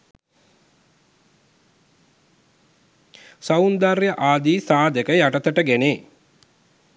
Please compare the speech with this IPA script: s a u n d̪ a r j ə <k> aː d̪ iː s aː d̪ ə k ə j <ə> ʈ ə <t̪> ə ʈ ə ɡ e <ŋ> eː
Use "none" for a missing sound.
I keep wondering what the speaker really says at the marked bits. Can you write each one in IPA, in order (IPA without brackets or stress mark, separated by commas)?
ʔ, a, t̪, n